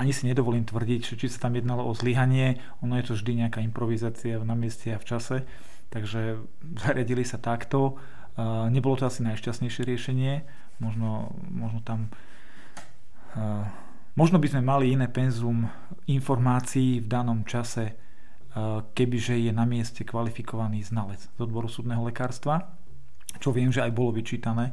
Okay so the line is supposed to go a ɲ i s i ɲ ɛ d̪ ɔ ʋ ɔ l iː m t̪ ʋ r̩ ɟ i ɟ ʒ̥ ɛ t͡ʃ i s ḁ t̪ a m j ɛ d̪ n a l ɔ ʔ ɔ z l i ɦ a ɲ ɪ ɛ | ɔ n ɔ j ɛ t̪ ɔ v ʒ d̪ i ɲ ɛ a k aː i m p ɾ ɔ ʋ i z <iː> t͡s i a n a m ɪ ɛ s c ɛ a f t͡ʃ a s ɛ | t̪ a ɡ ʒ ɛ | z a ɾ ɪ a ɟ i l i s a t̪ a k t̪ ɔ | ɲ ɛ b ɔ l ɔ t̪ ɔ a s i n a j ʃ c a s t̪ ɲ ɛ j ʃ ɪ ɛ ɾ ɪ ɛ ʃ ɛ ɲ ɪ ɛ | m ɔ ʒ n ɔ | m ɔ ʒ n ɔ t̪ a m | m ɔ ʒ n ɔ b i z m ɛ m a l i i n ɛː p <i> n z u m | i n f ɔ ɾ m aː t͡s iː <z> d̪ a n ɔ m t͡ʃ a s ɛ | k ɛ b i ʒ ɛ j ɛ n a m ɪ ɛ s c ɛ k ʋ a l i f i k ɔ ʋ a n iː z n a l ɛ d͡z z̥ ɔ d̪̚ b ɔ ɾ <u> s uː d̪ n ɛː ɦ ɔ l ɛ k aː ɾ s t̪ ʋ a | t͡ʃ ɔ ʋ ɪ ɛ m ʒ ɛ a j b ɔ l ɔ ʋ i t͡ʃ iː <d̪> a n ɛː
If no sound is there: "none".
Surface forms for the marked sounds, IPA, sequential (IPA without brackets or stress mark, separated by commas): aː, ɛ, v, u, t̪